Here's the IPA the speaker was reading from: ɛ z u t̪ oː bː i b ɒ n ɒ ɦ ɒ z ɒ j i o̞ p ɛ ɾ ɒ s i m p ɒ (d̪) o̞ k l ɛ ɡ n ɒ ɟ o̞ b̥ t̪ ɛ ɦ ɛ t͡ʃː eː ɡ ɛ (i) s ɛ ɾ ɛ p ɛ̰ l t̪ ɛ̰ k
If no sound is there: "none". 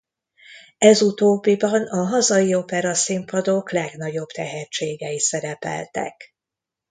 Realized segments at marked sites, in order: d̪, i

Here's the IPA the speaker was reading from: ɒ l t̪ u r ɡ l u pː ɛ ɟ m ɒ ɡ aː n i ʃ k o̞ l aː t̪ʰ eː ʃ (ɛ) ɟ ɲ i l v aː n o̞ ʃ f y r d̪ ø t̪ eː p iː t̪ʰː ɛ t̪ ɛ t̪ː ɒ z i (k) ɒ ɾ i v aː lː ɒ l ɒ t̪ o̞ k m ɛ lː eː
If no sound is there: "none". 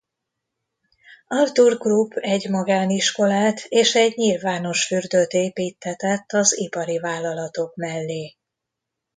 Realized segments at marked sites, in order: ɛ, p

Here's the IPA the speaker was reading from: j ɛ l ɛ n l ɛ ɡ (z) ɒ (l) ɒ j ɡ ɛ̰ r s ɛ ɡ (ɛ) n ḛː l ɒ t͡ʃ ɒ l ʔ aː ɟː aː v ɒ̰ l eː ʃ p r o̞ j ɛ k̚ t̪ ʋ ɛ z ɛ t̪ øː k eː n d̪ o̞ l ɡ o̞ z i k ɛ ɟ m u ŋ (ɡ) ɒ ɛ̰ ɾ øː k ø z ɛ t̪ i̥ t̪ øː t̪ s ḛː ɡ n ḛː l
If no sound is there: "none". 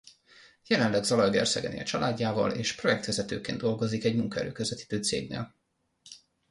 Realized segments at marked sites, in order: z, l, ɛ, k

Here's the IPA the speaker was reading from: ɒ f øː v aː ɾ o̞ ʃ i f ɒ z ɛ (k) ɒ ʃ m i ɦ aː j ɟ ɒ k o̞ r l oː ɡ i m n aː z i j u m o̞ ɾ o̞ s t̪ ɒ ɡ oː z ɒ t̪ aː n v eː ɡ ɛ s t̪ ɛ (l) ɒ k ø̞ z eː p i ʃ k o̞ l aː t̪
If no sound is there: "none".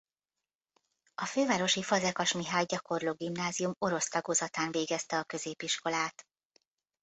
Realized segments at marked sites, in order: k, none

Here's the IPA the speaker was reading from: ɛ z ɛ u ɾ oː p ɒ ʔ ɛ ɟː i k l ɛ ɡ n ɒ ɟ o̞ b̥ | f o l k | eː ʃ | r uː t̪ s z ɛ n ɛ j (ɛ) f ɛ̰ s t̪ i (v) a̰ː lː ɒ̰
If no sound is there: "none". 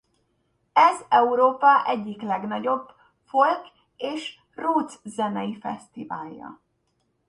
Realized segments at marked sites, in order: i, v

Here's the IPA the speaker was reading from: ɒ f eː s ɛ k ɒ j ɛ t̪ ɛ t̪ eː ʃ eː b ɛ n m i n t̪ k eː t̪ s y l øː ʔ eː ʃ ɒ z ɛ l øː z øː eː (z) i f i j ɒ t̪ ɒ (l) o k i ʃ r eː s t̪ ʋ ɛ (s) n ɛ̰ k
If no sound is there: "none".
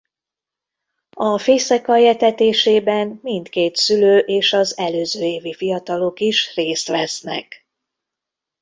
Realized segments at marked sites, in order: v, l, s

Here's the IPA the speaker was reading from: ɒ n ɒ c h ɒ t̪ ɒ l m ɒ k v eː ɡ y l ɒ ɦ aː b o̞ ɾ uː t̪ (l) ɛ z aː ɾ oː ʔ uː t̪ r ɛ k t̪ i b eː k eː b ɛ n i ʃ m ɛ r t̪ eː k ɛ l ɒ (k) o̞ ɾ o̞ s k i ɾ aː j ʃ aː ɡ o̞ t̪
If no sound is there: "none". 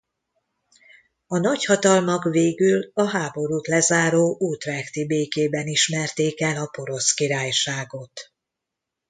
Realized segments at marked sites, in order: l, p

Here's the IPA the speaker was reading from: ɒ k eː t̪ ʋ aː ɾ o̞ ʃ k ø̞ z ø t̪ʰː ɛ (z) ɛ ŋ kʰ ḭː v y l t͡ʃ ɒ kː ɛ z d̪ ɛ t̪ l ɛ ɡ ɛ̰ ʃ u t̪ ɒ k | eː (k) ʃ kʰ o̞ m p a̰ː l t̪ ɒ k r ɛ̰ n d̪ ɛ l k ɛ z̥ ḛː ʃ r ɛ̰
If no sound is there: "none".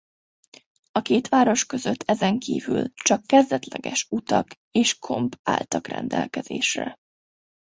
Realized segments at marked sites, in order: z, none

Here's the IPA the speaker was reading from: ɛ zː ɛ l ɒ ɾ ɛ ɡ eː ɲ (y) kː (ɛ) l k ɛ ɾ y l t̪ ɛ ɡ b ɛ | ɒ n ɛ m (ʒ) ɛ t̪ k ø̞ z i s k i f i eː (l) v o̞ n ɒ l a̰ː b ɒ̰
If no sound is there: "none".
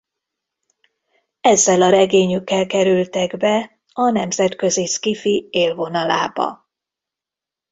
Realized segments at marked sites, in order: y, ɛ, z, l

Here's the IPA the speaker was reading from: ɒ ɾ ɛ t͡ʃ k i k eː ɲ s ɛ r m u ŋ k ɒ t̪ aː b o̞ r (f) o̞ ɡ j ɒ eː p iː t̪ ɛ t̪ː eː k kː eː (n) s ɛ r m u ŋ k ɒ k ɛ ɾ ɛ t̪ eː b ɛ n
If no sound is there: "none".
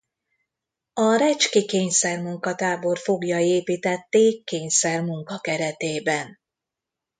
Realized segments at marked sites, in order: f, ɲ

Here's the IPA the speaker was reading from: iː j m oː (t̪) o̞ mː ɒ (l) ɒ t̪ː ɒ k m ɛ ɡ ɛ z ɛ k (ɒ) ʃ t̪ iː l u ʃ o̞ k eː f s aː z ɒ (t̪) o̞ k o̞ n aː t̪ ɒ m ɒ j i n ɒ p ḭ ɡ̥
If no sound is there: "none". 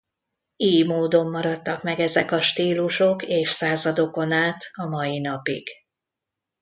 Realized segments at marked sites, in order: d̪, ɾ, ɒ, d̪

